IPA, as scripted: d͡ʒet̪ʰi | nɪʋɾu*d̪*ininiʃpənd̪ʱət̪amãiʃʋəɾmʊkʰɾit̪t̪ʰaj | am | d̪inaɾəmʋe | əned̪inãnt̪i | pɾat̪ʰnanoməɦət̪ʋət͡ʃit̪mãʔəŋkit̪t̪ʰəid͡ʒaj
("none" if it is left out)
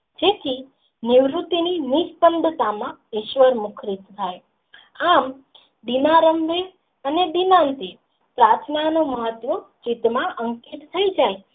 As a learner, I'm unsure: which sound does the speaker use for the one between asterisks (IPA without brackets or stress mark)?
t̪